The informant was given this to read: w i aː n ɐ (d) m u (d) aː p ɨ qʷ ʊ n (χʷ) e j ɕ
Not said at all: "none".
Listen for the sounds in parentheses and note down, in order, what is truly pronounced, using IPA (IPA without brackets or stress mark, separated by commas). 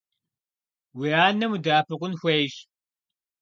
none, d, xʷ